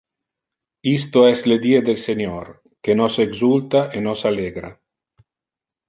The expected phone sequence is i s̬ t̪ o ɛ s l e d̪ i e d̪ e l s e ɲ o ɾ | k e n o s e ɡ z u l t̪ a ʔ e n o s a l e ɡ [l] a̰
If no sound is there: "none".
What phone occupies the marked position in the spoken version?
ɾ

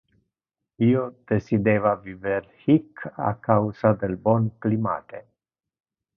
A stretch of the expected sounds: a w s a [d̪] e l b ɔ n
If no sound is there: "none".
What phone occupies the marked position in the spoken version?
d̪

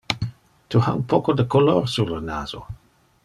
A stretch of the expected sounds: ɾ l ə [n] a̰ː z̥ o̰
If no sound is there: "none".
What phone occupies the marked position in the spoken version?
n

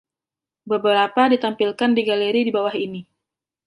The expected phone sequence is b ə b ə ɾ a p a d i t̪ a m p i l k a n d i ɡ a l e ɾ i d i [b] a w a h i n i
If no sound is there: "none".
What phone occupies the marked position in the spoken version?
b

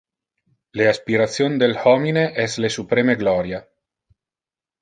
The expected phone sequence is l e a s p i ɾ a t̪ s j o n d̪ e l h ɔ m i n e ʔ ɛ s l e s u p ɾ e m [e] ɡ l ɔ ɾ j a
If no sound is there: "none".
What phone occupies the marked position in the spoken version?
e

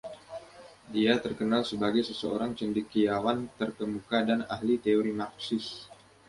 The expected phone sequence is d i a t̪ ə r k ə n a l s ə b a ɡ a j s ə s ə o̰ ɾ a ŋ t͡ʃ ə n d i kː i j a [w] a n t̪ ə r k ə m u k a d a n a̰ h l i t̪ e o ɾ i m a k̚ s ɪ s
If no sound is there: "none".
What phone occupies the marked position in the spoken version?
w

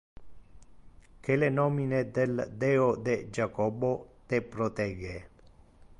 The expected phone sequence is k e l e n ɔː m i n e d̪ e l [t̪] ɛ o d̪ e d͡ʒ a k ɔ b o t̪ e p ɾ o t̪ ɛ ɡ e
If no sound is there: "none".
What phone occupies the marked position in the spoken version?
d̪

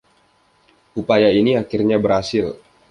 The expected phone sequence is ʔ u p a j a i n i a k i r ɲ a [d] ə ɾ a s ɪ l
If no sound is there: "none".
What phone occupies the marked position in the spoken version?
b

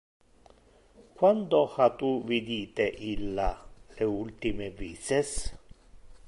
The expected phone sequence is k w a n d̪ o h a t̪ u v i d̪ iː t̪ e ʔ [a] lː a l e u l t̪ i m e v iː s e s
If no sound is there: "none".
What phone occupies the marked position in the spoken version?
i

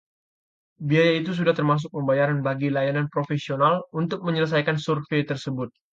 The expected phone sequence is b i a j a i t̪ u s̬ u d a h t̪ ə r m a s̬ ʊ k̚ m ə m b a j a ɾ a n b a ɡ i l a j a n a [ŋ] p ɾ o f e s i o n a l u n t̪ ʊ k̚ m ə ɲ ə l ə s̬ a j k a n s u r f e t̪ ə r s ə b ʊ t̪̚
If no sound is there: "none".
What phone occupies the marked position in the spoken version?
n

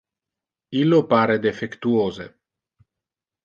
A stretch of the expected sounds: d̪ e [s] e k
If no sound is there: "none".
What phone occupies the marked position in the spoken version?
f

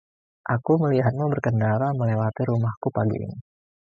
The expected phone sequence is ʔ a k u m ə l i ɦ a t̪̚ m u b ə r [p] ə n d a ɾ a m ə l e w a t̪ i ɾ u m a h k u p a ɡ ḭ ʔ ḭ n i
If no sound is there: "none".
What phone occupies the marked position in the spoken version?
k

